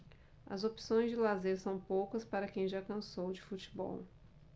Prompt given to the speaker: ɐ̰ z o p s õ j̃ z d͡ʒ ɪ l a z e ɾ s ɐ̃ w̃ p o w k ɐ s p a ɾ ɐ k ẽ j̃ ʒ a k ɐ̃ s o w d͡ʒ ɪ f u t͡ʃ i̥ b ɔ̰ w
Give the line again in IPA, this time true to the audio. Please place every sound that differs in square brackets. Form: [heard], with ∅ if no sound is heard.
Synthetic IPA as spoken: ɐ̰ z o p s õ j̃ z d͡ʒ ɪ l a z e ɾ s ɐ̃ w̃ p o w k ɐ s p a ɾ ɐ k ẽ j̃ ʒ a k ɐ̃ s o w d͡ʒ ɪ f u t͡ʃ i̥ b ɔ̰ w